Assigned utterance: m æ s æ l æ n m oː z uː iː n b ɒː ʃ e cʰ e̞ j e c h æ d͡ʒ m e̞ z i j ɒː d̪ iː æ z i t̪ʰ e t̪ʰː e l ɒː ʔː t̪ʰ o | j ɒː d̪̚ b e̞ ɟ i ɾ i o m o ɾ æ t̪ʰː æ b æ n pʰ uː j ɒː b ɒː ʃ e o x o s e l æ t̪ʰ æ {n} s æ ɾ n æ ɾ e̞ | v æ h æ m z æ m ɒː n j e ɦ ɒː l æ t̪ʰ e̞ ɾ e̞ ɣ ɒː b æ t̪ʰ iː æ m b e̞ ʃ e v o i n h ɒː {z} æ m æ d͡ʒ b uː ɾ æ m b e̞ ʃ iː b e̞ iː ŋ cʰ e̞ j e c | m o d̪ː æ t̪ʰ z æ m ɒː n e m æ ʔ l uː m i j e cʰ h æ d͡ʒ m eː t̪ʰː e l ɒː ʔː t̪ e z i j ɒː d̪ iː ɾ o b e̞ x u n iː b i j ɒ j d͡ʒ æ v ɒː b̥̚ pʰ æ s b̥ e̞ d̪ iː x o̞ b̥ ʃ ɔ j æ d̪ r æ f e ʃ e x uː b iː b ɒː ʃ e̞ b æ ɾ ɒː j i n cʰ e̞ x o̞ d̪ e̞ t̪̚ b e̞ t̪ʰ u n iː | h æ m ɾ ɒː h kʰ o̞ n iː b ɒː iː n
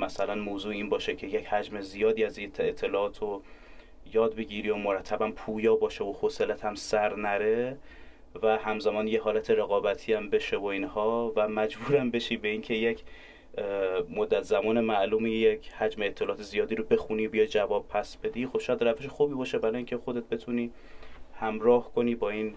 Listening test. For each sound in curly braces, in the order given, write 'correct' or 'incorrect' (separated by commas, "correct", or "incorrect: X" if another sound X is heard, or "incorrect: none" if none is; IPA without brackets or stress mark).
incorrect: m, incorrect: v